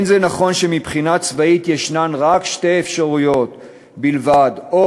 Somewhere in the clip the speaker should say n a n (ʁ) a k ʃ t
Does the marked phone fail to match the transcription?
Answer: no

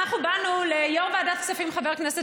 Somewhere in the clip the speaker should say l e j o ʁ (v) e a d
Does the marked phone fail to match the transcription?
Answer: no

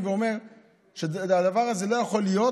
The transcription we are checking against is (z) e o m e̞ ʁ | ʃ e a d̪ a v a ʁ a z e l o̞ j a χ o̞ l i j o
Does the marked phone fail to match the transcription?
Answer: yes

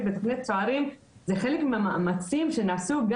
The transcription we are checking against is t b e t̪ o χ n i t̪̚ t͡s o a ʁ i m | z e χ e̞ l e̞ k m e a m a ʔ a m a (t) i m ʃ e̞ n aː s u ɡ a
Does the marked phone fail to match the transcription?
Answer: yes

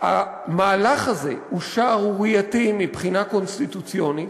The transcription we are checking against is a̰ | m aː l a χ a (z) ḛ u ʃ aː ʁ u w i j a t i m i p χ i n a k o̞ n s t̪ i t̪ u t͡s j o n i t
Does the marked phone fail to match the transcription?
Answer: no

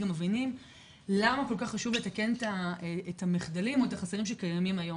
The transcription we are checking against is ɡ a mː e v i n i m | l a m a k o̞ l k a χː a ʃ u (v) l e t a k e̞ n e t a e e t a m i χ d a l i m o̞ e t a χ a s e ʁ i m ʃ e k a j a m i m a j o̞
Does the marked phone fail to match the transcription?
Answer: no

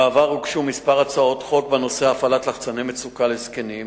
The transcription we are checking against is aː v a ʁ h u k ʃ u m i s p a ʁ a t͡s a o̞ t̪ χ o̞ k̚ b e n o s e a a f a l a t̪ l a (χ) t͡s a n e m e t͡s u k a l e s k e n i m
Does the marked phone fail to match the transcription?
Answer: no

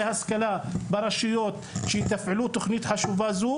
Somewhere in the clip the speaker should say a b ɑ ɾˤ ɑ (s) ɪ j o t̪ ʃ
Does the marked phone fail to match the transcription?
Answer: yes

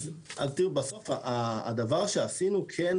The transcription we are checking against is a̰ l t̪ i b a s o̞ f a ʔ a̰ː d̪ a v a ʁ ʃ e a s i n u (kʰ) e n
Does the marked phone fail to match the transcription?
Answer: no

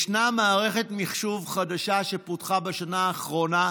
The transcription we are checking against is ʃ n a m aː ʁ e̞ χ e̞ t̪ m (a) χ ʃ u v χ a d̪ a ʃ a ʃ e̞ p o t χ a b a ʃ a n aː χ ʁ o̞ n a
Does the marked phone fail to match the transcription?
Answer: yes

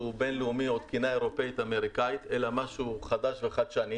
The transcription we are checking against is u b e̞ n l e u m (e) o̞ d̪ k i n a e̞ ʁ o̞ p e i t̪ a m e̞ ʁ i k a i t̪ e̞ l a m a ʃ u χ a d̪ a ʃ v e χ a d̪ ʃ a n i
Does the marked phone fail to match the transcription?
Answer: yes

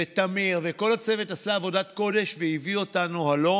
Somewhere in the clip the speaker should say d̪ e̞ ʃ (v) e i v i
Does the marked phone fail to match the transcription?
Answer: no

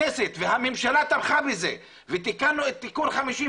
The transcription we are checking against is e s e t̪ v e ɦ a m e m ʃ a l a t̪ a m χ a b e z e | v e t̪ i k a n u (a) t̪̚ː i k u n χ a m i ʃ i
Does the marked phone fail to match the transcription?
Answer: yes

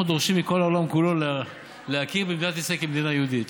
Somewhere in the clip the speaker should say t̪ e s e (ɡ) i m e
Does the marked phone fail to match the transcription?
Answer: yes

